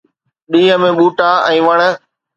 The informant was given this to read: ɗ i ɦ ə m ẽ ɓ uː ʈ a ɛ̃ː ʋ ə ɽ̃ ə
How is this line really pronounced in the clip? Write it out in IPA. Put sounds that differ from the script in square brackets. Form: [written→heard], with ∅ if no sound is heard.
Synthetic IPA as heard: ɗ [i→iː] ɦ ə m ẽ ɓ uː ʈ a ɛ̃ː ʋ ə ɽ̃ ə

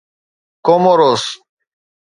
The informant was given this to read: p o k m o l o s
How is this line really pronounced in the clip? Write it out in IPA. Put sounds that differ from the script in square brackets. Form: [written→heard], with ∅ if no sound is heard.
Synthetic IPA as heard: [p→k] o [k→∅] m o [l→ɾ] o s

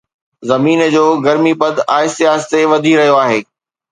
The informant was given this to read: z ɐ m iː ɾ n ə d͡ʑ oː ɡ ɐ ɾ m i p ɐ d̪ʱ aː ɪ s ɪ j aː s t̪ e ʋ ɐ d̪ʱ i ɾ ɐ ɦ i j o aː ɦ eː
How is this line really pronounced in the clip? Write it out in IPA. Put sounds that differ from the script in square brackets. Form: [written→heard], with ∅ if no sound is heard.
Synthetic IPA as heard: z ɐ m iː [ɾ→∅] n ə d͡ʑ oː ɡ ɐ ɾ m i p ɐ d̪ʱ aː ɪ s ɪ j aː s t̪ e ʋ ɐ d̪ʱ i ɾ ɐ ɦ i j o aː ɦ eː

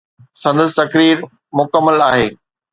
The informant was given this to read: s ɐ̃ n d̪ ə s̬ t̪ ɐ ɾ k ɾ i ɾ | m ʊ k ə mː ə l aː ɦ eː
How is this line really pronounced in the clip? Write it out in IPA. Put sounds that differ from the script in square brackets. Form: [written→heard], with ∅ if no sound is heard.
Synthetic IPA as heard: s ɐ̃ n d̪ ə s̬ t̪ ɐ [ɾ→∅] k ɾ [i→iː] ɾ | m ʊ k ə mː ə l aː ɦ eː

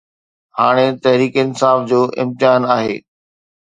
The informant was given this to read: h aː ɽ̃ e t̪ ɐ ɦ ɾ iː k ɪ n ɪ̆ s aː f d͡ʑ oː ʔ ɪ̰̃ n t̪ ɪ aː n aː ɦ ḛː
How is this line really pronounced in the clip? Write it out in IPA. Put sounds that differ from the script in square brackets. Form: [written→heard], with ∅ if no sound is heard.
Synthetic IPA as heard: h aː ɽ̃ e t̪ ɐ ɦ ɾ iː k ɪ n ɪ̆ s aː f d͡ʑ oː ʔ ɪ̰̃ [n→m] t̪ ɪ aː n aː ɦ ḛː

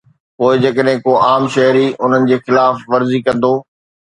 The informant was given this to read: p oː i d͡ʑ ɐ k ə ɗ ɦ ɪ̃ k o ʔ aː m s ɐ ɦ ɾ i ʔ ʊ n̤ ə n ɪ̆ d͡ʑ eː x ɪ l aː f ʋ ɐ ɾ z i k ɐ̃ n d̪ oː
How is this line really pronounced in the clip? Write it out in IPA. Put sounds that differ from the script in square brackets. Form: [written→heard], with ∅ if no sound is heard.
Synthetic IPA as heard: p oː [i→ɪ] d͡ʑ ɐ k ə ɗ ɦ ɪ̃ k o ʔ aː m [s→ʃ] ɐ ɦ ɾ i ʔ ʊ n̤ ə n ɪ̆ d͡ʑ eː x ɪ l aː f ʋ ɐ ɾ z i k ɐ̃ n d̪ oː

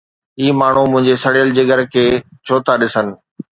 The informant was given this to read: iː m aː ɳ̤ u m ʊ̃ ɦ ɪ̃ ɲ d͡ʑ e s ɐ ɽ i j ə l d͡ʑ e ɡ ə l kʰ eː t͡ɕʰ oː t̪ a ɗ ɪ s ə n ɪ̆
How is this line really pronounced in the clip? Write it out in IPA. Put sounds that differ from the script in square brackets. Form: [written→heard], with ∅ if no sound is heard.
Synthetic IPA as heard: iː m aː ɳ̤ u m ʊ̃ ɦ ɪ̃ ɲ d͡ʑ e s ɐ ɽ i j ə l d͡ʑ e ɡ ə [l→ɾ] kʰ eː t͡ɕʰ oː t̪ a ɗ ɪ s ə n ɪ̆

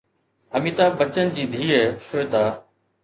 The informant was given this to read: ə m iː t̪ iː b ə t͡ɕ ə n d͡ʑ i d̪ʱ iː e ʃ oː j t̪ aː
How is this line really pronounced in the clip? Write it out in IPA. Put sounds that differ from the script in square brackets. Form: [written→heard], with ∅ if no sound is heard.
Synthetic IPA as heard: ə m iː t̪ [iː→aː] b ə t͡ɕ ə n d͡ʑ [i→iː] d̪ʱ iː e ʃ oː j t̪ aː

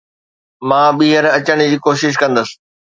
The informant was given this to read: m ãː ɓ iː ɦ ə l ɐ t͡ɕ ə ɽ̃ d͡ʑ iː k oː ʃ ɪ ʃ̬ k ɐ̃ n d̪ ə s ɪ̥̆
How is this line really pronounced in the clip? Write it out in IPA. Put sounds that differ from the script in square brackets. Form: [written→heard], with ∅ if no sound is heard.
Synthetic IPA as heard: m ãː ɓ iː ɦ ə [l→ɾ] ɐ t͡ɕ ə ɽ̃ d͡ʑ iː k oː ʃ ɪ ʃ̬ k ɐ̃ n d̪ ə s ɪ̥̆

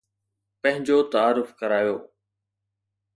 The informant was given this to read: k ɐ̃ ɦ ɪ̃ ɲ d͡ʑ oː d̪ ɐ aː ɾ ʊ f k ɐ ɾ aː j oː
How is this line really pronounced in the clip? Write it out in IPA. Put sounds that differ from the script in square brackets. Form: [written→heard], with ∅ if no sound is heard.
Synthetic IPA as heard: [k→p] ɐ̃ ɦ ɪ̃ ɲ d͡ʑ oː [d̪→t̪] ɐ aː ɾ ʊ f k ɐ ɾ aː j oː

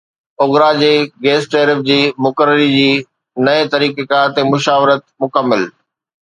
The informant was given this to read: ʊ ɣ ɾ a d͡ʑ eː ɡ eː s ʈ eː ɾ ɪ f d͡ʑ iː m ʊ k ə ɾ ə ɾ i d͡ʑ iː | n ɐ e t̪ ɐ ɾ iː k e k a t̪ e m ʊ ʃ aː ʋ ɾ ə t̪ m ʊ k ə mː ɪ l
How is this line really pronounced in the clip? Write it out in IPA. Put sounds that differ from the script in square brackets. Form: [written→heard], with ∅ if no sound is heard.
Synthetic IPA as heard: ʊ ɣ ɾ a d͡ʑ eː ɡ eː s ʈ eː ɾ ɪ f d͡ʑ iː m ʊ k ə ɾ ə ɾ i d͡ʑ iː | n ɐ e t̪ ɐ ɾ iː k e k a t̪ e m ʊ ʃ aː ʋ ɾ ə t̪ m ʊ k ə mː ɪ l

